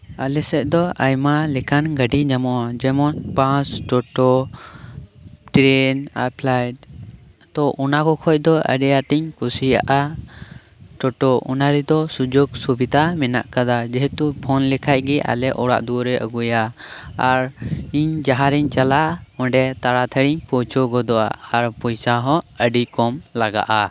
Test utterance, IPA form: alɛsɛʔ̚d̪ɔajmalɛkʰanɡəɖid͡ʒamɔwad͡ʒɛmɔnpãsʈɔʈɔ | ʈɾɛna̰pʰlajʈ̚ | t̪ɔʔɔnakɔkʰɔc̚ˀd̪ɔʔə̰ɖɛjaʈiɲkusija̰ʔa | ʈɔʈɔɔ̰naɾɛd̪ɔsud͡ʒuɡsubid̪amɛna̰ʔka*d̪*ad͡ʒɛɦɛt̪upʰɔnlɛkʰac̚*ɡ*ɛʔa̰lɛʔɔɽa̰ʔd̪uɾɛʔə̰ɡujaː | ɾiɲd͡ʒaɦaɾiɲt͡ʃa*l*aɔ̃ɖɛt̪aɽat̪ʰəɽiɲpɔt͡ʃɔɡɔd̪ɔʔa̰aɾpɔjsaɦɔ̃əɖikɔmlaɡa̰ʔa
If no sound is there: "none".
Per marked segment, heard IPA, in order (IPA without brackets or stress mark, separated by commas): d̪, ɡ, l